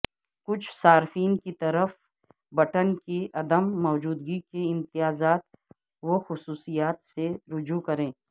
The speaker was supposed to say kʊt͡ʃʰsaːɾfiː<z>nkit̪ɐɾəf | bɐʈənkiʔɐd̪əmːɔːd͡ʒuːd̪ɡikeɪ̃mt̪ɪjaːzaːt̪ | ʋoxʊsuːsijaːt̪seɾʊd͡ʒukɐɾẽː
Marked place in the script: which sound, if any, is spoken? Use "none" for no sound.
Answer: none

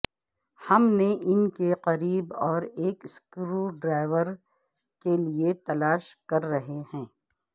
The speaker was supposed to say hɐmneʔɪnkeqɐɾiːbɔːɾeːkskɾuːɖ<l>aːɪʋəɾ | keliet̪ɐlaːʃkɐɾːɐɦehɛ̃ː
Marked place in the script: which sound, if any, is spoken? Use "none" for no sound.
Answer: ɾ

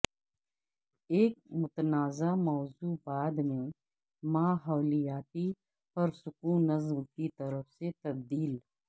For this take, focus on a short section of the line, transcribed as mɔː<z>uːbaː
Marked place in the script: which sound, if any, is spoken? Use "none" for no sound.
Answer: z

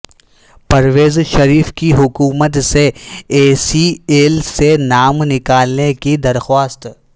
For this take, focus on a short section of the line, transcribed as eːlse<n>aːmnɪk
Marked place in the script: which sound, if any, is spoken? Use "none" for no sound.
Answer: n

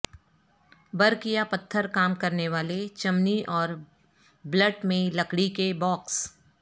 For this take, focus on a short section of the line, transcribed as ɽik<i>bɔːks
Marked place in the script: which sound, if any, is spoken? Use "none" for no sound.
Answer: e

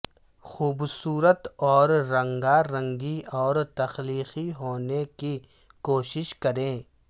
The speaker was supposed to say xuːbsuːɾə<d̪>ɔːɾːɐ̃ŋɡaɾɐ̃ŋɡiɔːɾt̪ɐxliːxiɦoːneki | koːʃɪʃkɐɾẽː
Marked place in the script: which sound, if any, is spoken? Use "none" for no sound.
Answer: t̪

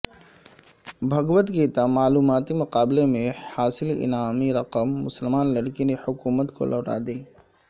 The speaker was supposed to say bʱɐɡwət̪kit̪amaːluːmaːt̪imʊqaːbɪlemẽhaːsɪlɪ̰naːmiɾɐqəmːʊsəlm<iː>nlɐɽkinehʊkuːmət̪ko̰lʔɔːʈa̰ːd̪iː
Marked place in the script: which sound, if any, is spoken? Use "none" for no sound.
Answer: aː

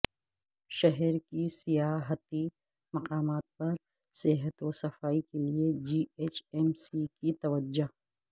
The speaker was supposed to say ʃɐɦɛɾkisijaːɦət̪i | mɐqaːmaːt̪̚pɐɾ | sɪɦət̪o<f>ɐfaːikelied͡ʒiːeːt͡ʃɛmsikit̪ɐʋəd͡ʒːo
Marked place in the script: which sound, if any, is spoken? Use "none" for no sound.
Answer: s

